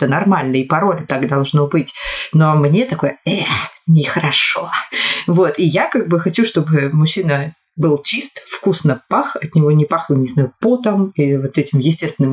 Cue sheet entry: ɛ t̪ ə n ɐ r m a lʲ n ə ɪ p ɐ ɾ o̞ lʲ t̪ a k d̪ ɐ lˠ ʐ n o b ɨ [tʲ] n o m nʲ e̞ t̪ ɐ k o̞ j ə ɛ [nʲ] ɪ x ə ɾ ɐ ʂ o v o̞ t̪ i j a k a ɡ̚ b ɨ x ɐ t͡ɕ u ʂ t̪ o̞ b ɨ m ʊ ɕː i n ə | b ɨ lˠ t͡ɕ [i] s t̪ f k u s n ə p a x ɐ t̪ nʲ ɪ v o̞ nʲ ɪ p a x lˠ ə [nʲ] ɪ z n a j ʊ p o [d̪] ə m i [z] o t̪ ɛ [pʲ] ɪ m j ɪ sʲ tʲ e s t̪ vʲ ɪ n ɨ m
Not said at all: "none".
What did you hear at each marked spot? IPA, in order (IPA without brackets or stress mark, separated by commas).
tʲ, nʲ, i, nʲ, t̪, v, tʲ